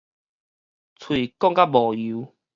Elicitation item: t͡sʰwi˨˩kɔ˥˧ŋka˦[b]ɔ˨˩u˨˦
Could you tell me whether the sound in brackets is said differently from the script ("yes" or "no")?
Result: no